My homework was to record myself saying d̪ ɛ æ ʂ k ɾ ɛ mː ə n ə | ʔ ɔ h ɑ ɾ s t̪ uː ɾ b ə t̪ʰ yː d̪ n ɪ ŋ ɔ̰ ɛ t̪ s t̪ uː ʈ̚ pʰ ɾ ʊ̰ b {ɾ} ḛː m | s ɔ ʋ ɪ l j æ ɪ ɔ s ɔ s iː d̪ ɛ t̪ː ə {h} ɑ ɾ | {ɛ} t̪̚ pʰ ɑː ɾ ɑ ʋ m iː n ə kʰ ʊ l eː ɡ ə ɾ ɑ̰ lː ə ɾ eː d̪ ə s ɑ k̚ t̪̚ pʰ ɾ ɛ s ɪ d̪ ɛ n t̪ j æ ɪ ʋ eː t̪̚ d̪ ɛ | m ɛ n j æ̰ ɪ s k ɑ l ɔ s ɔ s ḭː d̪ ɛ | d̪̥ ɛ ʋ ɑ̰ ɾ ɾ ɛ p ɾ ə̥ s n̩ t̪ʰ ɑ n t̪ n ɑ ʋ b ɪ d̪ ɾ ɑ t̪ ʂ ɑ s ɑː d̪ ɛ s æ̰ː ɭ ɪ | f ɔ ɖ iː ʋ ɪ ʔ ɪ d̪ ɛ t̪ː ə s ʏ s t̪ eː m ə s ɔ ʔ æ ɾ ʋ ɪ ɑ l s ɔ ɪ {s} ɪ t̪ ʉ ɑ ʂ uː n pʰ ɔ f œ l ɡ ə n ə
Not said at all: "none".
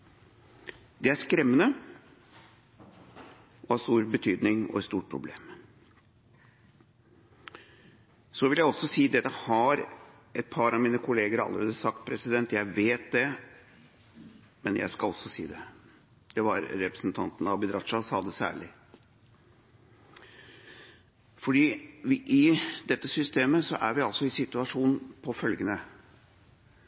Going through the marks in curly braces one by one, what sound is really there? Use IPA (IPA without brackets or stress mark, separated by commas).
l, h, ɛ, s